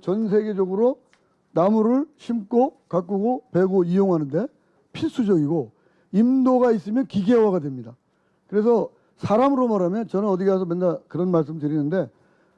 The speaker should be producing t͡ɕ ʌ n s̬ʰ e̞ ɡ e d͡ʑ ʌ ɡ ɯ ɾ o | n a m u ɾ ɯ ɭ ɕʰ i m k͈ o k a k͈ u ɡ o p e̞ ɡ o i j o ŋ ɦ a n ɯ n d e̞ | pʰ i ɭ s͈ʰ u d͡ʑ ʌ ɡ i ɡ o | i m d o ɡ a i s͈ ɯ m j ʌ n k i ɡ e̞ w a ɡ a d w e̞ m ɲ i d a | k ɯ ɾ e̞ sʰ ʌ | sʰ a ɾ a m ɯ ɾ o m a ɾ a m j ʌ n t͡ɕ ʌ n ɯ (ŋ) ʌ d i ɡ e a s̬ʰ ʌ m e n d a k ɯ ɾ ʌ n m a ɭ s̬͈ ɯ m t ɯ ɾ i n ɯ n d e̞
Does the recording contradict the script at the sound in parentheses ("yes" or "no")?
yes